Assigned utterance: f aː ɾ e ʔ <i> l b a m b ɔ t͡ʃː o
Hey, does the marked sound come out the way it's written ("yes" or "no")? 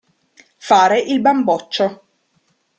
yes